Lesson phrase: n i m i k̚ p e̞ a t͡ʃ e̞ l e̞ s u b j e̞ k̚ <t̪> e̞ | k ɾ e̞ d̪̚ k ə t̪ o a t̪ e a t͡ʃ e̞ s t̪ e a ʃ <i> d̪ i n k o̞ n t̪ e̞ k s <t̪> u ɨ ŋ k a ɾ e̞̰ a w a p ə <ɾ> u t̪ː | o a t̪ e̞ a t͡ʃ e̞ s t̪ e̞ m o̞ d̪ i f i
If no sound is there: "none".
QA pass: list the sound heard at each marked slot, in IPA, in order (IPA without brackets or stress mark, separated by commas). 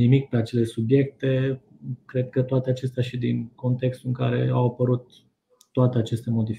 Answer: t̪, i, t̪, ɾ